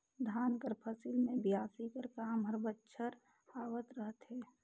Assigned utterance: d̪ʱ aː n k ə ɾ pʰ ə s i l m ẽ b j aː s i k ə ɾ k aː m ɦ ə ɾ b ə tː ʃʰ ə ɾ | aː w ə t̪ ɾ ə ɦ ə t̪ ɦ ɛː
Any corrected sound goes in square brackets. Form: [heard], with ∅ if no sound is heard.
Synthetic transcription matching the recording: d̪ʱ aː n k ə ɾ pʰ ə s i l m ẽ b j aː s i k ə ɾ k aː m ɦ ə ɾ b ə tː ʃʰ ə ɾ | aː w ə t̪ ɾ ə ɦ ə t̪ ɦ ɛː